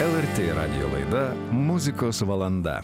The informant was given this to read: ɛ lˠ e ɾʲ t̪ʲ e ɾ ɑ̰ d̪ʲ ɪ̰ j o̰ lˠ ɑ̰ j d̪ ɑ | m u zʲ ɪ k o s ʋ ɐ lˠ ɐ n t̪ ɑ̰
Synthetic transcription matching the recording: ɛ lˠ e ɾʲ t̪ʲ e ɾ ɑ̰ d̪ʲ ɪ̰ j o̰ lˠ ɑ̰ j d̪ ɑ | m u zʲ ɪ k o s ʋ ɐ lˠ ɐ n d̪ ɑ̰